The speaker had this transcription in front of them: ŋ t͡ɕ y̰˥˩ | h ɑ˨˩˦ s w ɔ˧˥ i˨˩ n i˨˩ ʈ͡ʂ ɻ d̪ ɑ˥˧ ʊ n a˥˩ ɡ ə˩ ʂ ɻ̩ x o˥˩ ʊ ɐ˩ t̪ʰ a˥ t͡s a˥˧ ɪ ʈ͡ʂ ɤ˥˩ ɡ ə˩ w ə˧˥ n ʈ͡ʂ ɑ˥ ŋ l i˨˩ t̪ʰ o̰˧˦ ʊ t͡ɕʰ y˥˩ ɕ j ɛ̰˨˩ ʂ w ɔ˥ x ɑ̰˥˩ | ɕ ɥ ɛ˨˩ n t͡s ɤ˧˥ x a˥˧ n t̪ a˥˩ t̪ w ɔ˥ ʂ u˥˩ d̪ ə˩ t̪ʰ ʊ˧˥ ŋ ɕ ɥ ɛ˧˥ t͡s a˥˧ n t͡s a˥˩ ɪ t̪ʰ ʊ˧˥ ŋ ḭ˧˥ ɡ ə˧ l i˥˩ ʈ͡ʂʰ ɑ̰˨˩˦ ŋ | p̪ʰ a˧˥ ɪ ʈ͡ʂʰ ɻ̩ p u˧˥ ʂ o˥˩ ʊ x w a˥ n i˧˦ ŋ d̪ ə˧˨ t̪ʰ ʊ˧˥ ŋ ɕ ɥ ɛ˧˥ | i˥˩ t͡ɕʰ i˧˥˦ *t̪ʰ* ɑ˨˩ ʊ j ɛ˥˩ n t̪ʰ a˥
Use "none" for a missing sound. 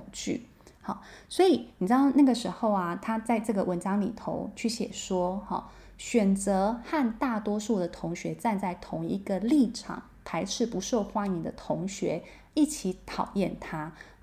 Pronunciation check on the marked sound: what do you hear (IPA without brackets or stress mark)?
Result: t̪ʰ